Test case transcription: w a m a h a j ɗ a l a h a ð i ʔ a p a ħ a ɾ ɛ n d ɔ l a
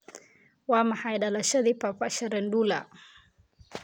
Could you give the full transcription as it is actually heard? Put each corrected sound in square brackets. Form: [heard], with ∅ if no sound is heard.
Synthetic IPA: w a m a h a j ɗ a l a [ʃ] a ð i [p] a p a [ʃ] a ɾ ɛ n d [u] l a